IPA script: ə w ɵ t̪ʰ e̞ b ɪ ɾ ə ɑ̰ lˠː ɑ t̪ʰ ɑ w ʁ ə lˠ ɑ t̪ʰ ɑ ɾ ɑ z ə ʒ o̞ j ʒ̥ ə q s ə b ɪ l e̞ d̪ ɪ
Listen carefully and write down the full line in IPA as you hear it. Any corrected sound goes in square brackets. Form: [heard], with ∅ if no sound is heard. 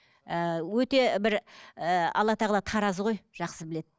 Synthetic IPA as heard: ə w ɵ [t̪] e̞ b ɪ ɾ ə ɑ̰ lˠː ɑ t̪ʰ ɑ [∅] ʁ ə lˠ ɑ t̪ʰ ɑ ɾ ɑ z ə [ʁ] o̞ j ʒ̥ [ɑ] q s ə b ɪ l e̞ d̪ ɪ